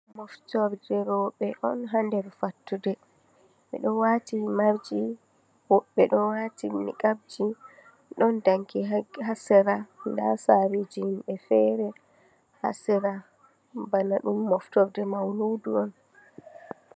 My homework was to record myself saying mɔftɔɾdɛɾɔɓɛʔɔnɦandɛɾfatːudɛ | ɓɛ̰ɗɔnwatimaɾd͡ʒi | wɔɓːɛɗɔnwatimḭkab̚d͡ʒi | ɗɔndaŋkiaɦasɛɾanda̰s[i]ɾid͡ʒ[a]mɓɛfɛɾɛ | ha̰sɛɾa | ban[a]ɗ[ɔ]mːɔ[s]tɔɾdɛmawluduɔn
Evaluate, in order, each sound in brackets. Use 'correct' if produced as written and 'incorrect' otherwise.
incorrect, incorrect, correct, incorrect, incorrect

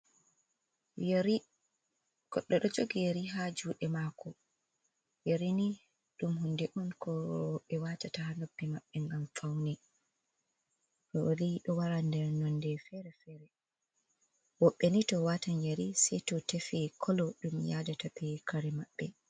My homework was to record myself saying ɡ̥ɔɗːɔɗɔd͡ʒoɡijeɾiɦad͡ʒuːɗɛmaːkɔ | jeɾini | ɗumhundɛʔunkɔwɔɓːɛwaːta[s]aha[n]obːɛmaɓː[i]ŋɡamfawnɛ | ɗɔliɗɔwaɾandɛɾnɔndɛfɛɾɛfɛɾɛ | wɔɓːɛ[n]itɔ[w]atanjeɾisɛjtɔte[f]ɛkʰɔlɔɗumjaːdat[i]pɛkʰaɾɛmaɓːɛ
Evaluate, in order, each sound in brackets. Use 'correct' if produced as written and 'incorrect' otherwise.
incorrect, correct, incorrect, correct, correct, correct, incorrect

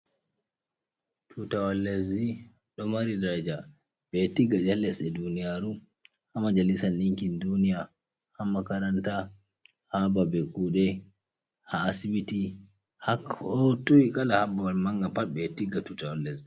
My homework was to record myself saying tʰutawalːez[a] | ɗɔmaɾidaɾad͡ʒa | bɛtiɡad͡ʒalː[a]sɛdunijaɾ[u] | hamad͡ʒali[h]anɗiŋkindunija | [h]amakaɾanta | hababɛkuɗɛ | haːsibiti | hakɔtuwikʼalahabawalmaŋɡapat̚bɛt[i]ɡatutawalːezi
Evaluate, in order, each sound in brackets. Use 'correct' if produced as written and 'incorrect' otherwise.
incorrect, incorrect, correct, incorrect, correct, correct

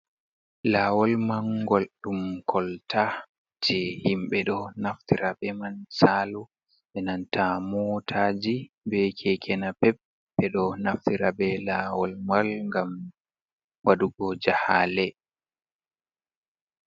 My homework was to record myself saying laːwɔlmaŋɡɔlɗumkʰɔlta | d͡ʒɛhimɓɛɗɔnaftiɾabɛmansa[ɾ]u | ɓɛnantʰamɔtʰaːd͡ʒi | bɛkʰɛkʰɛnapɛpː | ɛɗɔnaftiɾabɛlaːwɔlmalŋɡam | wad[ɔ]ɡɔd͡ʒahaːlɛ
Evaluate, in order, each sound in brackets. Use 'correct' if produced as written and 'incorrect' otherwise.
incorrect, incorrect

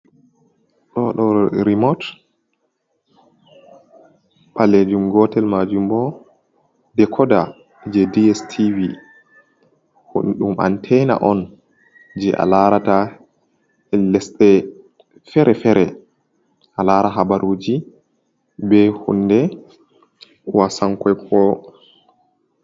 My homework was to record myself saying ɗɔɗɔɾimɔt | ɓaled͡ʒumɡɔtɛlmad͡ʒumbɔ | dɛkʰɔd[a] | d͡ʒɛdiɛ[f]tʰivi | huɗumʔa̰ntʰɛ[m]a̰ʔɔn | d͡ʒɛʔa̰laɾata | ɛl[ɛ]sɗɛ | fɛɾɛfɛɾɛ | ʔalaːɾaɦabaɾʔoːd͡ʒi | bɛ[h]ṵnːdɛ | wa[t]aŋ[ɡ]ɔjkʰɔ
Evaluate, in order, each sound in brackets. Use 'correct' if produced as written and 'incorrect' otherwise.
correct, incorrect, incorrect, correct, correct, incorrect, incorrect

